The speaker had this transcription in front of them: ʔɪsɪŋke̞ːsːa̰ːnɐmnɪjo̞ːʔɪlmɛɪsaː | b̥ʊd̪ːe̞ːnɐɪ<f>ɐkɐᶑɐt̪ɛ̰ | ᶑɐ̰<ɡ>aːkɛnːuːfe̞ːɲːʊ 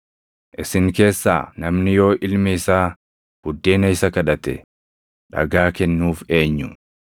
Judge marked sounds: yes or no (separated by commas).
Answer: no, yes